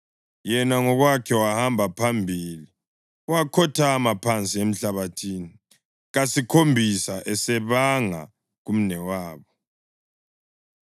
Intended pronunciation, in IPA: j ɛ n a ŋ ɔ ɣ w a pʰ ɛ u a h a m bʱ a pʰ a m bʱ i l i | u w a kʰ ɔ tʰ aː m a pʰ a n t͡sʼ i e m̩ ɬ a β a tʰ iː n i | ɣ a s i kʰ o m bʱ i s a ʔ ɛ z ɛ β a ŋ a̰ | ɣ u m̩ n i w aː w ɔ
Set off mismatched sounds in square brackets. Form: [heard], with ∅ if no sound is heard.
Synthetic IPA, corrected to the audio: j ɛ n a ŋ ɔ ɣ w a [kʰ] ɛ [w] a h a m bʱ a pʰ a m bʱ i l i | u w a kʰ ɔ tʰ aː m a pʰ a n t͡sʼ i e m̩ ɬ a β a tʰ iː n i | ɣ a s i kʰ o m bʱ i s a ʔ ɛ [s] ɛ β a ŋ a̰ | ɣ u m̩ n [ɛ] w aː [β] ɔ